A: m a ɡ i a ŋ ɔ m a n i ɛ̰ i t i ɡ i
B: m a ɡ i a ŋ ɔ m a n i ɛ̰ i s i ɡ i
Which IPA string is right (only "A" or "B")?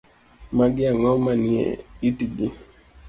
A